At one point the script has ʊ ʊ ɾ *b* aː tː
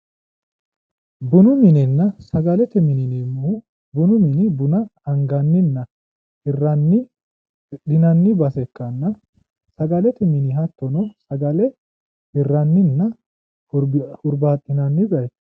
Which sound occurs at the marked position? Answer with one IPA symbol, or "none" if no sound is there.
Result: b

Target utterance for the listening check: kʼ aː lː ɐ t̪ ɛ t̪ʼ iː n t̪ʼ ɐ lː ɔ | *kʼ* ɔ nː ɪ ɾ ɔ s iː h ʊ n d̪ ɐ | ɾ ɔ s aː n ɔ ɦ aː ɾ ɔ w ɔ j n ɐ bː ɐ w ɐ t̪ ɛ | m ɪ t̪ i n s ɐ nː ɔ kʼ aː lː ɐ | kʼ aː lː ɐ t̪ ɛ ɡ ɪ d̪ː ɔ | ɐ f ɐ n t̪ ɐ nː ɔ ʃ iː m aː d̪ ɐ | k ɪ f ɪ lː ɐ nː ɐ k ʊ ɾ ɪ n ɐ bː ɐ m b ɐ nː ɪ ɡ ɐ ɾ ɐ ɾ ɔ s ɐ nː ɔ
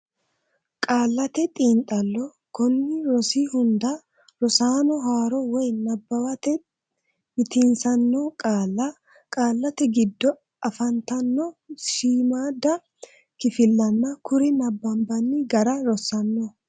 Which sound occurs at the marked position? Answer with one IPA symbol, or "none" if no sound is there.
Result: k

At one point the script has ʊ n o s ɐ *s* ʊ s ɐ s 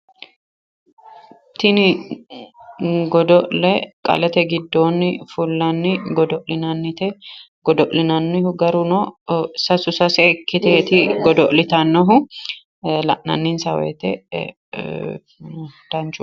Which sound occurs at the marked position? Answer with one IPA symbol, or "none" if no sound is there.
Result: s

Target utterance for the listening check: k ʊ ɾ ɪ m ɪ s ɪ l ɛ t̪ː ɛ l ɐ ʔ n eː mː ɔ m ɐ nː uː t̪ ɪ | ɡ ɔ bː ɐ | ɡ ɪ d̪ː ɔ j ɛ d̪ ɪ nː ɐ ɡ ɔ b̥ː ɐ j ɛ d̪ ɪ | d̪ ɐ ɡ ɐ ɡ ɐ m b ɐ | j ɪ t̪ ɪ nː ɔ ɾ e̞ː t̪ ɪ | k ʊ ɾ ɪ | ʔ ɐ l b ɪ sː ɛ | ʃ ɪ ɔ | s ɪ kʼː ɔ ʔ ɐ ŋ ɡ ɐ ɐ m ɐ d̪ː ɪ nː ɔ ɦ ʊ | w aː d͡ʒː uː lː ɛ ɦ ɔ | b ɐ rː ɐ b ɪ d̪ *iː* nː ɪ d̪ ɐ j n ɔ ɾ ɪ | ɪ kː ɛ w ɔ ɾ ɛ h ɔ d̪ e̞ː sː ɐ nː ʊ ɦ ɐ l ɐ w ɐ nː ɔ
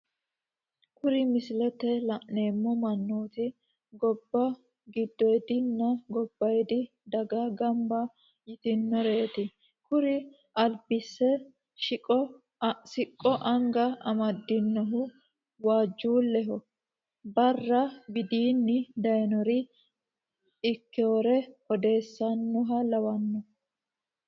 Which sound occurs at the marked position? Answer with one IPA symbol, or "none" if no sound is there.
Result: iː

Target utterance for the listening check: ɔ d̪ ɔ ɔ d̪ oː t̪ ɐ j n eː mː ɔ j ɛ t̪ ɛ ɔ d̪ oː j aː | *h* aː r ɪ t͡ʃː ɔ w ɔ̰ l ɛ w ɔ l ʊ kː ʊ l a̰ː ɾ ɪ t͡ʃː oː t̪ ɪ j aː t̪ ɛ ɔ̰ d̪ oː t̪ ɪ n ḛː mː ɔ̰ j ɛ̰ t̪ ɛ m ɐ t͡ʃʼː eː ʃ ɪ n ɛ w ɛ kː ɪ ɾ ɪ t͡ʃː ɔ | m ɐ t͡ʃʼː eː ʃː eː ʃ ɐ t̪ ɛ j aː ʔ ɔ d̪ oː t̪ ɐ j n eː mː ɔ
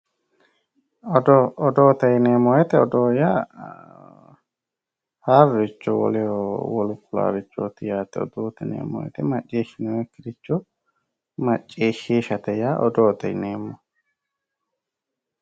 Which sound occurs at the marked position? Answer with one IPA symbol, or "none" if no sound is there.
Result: h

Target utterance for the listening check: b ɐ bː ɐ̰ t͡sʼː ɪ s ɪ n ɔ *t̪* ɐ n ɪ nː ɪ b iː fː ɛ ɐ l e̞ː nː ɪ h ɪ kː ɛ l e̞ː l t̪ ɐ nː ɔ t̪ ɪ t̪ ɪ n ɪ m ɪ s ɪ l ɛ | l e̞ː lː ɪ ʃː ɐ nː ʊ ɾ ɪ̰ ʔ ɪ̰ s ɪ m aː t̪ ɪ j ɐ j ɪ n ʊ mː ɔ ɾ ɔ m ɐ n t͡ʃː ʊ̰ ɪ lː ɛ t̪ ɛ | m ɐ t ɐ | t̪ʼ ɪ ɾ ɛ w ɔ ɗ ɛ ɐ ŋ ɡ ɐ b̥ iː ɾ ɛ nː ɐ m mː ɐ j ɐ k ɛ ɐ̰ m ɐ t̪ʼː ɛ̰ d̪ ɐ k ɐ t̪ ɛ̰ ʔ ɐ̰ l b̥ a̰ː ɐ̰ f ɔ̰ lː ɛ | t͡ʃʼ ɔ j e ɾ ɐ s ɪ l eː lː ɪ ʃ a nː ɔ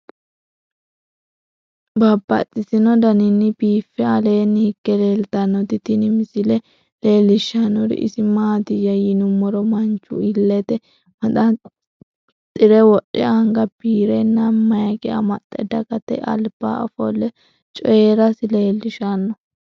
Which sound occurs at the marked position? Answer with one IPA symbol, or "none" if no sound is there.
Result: d̪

